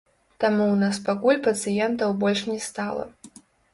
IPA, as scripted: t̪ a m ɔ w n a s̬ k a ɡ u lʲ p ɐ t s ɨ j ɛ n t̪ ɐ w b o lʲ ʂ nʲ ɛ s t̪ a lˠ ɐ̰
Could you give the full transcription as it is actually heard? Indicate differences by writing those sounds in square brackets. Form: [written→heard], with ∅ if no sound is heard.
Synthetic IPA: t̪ a m [ɔ→u] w n a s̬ [k→p] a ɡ u lʲ p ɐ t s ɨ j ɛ n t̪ ɐ w b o lʲ ʂ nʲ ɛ s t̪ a lˠ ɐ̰